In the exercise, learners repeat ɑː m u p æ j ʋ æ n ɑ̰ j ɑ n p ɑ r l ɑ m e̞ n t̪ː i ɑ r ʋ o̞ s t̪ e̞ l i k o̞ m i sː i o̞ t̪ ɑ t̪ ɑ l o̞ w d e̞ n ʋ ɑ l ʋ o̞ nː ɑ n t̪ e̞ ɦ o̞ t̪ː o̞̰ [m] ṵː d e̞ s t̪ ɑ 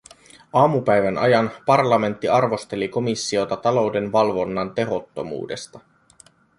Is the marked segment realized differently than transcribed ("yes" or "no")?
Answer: no